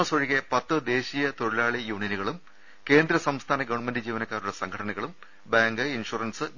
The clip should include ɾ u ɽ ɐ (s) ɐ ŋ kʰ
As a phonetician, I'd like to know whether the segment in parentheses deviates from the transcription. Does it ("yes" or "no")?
no